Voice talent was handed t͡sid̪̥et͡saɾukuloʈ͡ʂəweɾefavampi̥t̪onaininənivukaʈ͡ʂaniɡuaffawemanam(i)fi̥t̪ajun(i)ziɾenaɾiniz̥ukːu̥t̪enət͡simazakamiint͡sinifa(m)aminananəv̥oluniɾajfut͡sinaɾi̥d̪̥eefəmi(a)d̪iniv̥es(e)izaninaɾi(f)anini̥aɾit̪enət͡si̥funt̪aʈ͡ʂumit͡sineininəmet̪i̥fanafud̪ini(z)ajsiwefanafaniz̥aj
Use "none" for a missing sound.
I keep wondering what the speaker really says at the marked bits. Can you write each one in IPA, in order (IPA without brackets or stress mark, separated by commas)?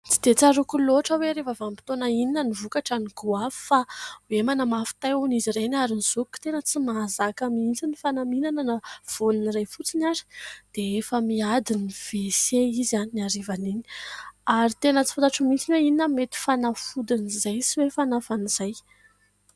a, i, n, a, e, v, z